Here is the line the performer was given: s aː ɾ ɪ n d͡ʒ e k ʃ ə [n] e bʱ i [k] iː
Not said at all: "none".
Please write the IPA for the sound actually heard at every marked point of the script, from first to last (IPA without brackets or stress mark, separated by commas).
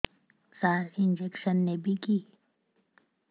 nː, k